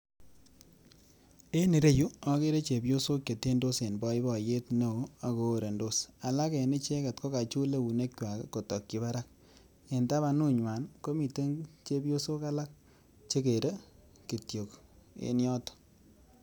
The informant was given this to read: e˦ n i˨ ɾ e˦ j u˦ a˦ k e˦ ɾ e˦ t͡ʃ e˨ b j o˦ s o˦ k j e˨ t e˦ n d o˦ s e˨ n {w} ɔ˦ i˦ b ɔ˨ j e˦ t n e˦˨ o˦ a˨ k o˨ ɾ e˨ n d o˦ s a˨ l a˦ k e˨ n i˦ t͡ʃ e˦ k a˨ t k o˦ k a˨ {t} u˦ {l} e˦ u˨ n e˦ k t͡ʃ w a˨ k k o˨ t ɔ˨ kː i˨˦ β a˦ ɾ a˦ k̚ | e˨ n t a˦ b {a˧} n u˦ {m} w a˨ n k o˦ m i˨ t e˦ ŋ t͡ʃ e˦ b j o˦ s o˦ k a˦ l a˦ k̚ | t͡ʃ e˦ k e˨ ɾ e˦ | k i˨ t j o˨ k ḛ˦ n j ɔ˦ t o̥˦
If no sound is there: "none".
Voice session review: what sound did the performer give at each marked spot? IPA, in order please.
b, t͡ʃ, l, a˧, ɲ

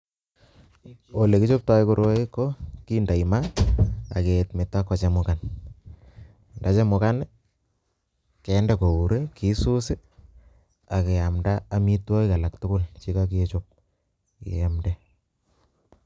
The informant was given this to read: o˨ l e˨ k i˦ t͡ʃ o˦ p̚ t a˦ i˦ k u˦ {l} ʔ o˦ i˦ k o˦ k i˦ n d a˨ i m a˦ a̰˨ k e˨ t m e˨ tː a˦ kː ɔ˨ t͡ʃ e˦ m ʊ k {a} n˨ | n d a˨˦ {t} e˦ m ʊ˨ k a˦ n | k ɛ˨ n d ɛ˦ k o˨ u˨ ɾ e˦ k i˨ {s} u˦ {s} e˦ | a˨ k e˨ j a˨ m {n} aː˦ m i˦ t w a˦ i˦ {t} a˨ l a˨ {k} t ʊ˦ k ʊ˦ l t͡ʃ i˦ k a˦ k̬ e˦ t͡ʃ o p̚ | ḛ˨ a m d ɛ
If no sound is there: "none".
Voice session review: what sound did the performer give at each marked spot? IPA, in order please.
ɾ, a, t͡ʃ, s, s, d, k, k

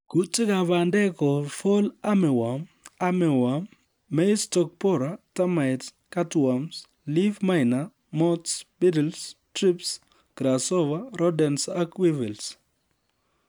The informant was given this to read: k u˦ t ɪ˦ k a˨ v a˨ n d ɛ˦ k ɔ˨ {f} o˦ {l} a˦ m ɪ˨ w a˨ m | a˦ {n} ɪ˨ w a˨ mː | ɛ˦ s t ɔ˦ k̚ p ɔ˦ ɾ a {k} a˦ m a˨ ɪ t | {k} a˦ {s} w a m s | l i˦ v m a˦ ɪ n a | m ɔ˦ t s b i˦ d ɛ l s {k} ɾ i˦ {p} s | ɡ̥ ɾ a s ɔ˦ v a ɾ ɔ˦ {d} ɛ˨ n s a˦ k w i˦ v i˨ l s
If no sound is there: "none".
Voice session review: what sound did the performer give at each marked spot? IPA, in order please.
f, l, m, t, k, t, t, p, d

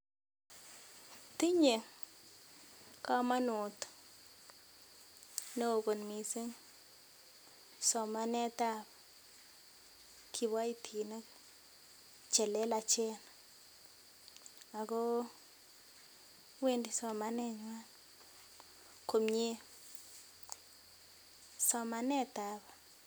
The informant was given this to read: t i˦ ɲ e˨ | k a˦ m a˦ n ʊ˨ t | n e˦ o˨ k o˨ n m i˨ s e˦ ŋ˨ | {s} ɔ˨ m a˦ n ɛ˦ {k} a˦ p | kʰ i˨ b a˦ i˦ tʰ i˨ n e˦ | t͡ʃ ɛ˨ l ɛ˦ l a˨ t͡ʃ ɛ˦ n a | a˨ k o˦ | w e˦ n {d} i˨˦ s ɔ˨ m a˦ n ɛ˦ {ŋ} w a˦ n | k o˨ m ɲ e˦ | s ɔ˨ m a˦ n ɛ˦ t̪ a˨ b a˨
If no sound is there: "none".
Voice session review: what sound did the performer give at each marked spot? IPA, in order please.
s, t, d, ɲ

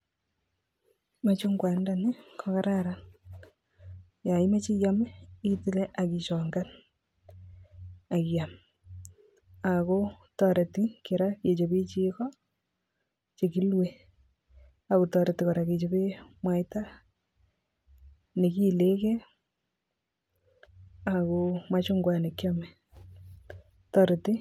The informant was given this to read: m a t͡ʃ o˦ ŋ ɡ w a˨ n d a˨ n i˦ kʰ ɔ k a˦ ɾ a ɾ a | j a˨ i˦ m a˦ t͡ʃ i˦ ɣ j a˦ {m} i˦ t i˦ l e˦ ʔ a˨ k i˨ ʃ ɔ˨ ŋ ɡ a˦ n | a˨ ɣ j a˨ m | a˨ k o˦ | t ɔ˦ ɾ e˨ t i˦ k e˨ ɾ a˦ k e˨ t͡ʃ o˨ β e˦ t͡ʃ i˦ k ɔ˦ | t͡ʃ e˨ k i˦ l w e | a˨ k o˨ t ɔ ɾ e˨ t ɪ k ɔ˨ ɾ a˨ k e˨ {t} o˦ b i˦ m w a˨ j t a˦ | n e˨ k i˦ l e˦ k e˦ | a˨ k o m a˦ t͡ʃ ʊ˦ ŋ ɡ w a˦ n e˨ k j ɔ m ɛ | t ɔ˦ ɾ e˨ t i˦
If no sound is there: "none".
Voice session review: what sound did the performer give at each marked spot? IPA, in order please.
m, t͡ʃ

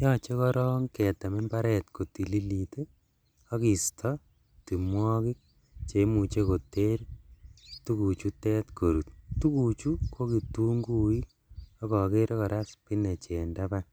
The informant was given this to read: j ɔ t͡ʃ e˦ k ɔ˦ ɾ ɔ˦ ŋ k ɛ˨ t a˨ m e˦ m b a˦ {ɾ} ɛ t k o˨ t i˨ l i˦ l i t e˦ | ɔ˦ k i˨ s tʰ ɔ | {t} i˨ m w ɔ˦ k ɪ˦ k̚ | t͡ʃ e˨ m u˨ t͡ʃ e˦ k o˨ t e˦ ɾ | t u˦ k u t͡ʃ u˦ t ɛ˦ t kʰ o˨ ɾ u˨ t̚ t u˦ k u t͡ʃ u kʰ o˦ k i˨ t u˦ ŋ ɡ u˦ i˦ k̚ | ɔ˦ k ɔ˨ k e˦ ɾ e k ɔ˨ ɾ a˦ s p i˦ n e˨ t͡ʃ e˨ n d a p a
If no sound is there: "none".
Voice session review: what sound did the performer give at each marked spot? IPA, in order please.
ɾ, t

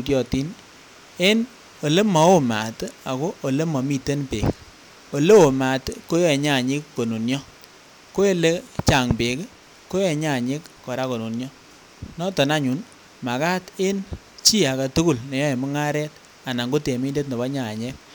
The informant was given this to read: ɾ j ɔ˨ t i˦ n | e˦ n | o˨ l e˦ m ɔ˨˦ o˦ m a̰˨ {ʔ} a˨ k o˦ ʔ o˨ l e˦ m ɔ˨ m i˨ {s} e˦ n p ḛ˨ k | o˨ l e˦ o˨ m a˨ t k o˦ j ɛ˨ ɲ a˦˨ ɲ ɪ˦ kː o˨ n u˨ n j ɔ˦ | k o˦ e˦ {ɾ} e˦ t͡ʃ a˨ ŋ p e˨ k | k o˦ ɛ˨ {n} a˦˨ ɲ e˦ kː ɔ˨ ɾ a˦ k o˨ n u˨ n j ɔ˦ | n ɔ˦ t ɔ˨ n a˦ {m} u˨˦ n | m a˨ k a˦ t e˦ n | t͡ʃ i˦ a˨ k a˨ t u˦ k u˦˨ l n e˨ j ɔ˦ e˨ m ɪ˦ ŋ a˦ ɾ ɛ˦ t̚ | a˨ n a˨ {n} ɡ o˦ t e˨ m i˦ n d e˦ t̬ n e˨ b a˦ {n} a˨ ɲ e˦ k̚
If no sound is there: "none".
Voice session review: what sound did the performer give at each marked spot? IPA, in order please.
t, t, l, ɲ, ɲ, ŋ, ɲ

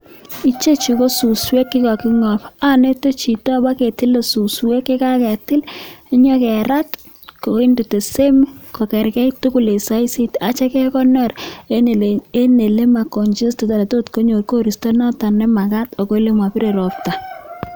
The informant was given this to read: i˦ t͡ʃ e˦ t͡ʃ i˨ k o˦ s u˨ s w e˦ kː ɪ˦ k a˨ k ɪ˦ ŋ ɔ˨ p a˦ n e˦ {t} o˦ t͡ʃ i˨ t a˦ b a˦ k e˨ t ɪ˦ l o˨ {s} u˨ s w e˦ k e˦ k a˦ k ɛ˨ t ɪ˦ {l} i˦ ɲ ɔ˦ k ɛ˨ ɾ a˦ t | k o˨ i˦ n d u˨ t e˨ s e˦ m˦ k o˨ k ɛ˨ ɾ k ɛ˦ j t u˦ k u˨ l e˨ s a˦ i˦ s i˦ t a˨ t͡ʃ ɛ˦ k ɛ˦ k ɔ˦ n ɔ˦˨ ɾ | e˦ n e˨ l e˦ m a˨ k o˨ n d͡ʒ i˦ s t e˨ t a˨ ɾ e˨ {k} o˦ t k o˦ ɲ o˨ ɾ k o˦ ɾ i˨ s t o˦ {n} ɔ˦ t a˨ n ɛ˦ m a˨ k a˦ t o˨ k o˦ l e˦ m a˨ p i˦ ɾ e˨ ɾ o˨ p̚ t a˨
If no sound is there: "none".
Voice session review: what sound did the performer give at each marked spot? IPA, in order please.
t, s, l, t, n

